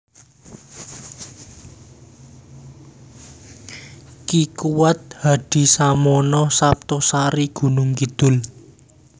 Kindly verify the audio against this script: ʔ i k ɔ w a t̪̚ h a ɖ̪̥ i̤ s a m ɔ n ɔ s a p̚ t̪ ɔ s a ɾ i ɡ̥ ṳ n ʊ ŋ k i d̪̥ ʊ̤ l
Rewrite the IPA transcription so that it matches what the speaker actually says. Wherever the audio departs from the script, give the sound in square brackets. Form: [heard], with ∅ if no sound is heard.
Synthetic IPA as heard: [k] i k [u] w a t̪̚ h a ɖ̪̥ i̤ s a m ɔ n ɔ s a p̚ t̪ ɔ s a ɾ i ɡ̥ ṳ n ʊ ŋ k i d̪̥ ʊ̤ l